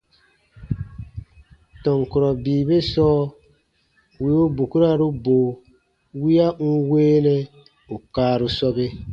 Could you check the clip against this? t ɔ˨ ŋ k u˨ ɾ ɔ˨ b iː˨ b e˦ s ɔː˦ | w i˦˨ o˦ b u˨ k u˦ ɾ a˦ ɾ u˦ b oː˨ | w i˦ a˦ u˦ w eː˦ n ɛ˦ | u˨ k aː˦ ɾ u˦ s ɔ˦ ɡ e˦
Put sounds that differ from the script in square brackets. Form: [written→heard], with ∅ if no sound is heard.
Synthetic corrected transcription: t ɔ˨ ŋ k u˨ ɾ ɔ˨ b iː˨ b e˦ s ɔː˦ | w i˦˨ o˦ b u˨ k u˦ ɾ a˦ ɾ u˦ b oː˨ | w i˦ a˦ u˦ w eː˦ n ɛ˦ | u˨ k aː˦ ɾ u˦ s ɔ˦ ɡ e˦